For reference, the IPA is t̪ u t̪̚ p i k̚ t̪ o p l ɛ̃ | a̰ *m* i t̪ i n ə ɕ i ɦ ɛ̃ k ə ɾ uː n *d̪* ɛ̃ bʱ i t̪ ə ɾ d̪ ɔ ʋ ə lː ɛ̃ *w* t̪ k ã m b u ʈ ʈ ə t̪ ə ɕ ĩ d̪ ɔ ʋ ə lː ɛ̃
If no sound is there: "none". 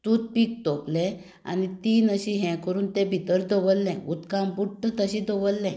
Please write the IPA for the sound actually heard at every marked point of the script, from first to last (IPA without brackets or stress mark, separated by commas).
n, t̪, u